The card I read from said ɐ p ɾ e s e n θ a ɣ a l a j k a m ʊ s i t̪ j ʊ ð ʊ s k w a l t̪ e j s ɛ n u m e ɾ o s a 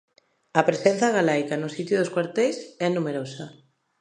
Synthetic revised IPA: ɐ p ɾ e s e n θ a ɣ a l a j k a n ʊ s i t̪ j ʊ ð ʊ s k w a ɾ t̪ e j s ɛ n u m e ɾ o s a